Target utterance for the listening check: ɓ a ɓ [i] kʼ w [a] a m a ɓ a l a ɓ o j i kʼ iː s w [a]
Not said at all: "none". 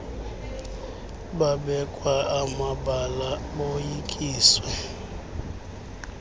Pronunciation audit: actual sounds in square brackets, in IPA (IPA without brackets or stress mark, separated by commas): ɛ, a, ɛ